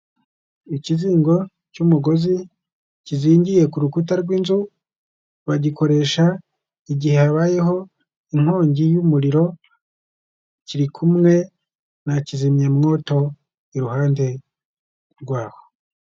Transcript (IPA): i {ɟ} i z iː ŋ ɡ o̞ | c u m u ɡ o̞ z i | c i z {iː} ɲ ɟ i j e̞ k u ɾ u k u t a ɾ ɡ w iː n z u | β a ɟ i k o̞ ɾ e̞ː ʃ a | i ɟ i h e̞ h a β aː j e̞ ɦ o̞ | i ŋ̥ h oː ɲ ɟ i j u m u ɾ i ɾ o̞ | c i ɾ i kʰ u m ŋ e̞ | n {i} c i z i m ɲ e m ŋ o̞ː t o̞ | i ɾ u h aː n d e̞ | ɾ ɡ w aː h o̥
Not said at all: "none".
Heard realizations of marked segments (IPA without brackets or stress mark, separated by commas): c, iː, a